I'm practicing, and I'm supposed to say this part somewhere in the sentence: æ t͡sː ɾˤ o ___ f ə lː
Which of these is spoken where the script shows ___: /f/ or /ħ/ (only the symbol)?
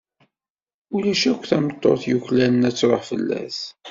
ħ